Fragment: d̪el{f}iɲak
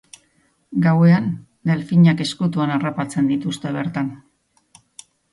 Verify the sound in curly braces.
correct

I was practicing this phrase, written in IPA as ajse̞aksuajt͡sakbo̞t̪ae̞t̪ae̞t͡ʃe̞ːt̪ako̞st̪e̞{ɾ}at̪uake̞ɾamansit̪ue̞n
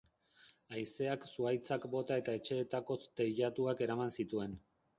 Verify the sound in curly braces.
incorrect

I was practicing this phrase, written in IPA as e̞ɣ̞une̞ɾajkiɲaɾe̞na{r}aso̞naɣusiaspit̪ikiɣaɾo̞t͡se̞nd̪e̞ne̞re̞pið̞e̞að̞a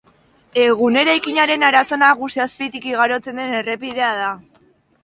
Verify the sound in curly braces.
incorrect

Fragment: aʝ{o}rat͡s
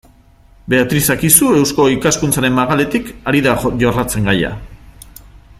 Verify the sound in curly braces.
correct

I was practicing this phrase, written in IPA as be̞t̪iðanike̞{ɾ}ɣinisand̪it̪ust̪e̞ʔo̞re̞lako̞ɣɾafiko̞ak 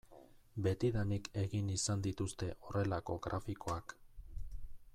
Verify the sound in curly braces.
incorrect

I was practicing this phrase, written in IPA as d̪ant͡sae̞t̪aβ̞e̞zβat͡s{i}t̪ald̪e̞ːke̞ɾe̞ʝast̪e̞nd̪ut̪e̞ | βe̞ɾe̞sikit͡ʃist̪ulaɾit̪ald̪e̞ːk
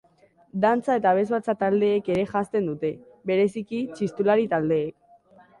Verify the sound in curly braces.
incorrect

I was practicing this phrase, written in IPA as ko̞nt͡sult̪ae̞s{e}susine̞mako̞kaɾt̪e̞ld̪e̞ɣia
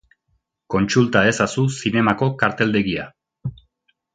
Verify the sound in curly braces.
incorrect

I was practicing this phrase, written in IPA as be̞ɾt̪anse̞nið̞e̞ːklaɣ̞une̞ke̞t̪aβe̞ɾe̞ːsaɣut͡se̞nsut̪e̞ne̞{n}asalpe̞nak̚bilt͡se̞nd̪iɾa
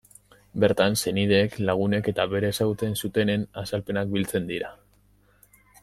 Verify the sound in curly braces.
correct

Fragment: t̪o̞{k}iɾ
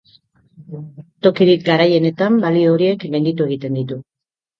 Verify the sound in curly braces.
correct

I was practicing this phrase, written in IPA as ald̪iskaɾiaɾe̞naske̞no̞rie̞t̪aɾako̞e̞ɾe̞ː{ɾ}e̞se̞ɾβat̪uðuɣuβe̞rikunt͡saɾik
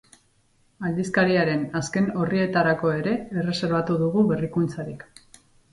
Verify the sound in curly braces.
incorrect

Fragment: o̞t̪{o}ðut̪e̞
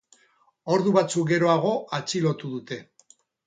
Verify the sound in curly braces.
incorrect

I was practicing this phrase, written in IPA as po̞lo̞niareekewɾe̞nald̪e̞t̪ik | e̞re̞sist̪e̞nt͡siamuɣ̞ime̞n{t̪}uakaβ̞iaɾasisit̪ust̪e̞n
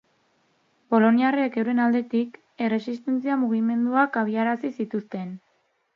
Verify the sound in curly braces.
incorrect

